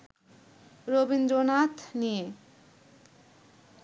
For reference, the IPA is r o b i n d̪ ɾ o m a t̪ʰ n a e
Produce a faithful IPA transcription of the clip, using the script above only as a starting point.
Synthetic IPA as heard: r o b i n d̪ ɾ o n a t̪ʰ n i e